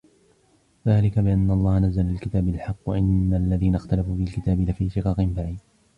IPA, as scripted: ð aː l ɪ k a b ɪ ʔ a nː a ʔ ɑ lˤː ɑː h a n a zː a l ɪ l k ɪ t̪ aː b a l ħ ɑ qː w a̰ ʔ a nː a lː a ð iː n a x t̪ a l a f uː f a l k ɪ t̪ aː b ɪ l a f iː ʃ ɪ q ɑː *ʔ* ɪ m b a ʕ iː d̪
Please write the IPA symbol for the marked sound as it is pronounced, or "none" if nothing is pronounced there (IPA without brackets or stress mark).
q